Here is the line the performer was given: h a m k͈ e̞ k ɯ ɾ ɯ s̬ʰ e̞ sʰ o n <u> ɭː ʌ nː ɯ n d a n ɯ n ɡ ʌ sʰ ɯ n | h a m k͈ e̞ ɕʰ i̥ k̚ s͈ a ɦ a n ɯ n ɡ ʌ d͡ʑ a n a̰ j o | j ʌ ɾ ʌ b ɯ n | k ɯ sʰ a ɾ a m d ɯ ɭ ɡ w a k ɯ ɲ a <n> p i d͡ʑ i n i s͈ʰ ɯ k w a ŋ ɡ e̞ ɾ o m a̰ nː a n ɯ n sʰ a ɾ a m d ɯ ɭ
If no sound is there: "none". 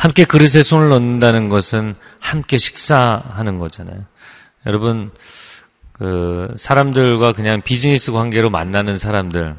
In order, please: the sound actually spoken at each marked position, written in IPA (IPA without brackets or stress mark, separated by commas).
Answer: ɯ, ŋ